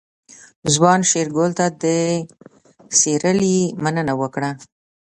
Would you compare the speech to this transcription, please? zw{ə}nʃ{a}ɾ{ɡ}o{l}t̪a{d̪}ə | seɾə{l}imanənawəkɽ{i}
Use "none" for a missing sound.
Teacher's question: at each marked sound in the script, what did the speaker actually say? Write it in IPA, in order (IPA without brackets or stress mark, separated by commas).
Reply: ɑ, e, ɡ, l, d̪, l, a